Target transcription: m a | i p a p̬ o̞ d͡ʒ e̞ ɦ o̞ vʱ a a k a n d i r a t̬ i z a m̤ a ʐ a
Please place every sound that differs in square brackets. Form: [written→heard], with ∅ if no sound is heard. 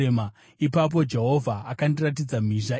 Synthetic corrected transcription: m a | i p a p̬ o̞ d͡ʒ e̞ ɦ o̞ vʱ a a k a n d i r a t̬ i [z→d͡z] a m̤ [a→i] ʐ a